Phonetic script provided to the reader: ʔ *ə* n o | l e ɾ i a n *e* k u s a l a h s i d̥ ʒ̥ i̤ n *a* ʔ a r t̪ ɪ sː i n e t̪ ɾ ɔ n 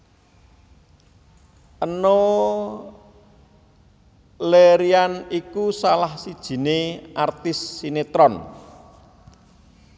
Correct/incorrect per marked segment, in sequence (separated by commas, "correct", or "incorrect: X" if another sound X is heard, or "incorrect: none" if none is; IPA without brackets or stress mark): correct, incorrect: i, incorrect: e